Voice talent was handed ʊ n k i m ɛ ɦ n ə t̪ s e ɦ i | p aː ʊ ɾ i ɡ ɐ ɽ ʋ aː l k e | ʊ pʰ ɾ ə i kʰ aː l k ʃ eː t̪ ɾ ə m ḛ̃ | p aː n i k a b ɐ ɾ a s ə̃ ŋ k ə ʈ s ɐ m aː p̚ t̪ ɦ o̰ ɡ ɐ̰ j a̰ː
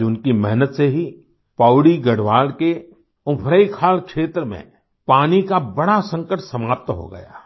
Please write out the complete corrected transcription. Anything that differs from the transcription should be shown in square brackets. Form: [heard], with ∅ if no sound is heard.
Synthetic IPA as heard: ʊ n k i m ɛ ɦ n ə t̪ s e ɦ i | p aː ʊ [ɽ] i ɡ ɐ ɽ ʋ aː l k e | ʊ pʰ ɾ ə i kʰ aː l k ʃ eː t̪ ɾ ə m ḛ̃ | p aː n i k a b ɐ [ɽ] a s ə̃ ŋ k ə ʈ s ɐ m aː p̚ t̪ ɦ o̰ ɡ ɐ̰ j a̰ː